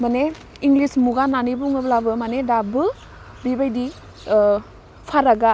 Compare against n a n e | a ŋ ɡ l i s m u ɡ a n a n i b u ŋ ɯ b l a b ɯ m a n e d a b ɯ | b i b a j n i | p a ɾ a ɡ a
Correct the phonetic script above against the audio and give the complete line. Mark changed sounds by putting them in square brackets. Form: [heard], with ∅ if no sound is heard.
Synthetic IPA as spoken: [m] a n e | [i] ŋ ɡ l i s m u ɡ a n a n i b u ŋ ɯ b l a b ɯ m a n e d a b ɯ | b i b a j [d] i | [pʰ] a ɾ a ɡ a